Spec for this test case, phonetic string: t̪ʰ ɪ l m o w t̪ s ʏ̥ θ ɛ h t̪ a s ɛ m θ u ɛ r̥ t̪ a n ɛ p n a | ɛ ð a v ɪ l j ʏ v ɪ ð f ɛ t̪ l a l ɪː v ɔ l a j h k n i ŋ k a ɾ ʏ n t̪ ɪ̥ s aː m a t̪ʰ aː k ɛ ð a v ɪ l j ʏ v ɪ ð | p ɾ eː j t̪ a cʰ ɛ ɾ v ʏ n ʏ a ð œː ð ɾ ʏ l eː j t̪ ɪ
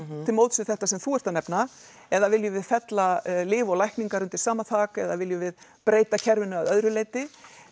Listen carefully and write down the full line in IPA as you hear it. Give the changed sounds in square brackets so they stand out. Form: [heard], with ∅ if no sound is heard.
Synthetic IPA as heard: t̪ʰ ɪ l m o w t̪ s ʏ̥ θ ɛ h t̪ a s ɛ m θ u ɛ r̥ t̪ a n ɛ p n a | ɛ ð a v ɪ l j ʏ v ɪ ð f ɛ t̪ l a l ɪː v ɔ l a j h k n i ŋ k a ɾ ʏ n t̪ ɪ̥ s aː m a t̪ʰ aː k ɛ ð a v ɪ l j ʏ v ɪ ð | p ɾ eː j t̪ a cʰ ɛ ɾ v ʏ n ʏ a ð [œ] ð ɾ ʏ l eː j t̪ ɪ

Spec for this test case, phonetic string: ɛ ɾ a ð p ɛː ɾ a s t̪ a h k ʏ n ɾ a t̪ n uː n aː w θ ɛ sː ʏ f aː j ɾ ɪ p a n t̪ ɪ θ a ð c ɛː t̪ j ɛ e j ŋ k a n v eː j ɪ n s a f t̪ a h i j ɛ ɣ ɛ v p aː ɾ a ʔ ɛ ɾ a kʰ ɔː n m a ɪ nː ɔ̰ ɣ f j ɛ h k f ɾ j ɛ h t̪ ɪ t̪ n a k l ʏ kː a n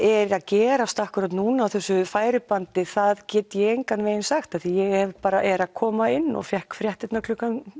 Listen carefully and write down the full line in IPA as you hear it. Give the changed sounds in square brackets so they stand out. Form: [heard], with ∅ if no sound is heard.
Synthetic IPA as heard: ɛ ɾ a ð [c] ɛː ɾ a s t̪ a h k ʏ [∅] ɾ a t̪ n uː n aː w θ ɛ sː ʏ f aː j ɾ ɪ p a n t̪ ɪ θ a ð c ɛː t̪ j ɛ e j ŋ k a n v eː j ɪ n s a [x] t̪ a [θ] i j ɛ ɣ ɛ v p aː ɾ a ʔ ɛ ɾ a kʰ ɔː [∅] m a ɪ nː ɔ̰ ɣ f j ɛ h k f ɾ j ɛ h t̪ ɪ t̪ n a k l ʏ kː a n

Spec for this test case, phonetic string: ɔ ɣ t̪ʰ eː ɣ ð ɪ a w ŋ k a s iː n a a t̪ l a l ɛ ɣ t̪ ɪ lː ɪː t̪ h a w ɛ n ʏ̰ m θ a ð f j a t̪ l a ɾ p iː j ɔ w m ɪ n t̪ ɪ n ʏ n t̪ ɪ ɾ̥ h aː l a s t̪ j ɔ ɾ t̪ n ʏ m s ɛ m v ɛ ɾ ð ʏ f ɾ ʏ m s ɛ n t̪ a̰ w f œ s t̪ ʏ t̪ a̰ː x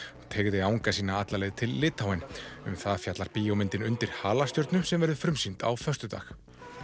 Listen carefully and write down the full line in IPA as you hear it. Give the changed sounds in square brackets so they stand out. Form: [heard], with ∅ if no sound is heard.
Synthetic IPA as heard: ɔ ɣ t̪ʰ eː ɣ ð ɪ a w ŋ k a s iː n a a t̪ l a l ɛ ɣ [t̪ʰ] ɪ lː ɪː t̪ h a w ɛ n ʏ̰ m θ a ð f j a t̪ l a ɾ p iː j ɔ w m ɪ n t̪ ɪ n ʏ n t̪ ɪ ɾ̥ h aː l a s t̪ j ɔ ɾ t̪ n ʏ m s ɛ m v ɛ ɾ ð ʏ f ɾ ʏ m s [i] n t̪ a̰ w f œ s t̪ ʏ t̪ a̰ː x

